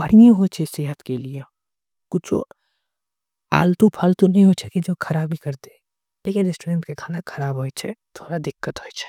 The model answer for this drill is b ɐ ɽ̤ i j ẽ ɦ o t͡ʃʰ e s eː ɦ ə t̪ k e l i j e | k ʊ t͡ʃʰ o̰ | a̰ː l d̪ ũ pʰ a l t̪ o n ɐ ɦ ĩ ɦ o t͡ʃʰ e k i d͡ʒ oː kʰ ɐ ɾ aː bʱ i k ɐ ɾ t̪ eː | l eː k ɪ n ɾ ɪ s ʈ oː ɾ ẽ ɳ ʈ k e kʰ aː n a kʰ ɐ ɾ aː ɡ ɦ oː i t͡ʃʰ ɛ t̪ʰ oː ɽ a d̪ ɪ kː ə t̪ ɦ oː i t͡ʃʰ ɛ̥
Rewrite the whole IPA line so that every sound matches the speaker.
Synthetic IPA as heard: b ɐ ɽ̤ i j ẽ ɦ o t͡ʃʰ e s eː ɦ ə t̪ k e l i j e | k ʊ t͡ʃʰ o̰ | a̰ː l t̪ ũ pʰ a l t̪ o n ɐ ɦ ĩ ɦ o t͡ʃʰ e k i d͡ʒ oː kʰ ɐ ɾ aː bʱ i k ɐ ɾ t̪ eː | l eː k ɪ n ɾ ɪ s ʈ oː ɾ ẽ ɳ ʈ k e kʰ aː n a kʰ ɐ ɾ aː b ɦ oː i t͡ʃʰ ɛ t̪ʰ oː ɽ a d̪ ɪ kː ə t̪ ɦ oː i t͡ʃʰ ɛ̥